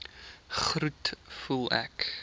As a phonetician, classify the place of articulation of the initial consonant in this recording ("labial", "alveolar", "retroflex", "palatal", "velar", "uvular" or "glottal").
uvular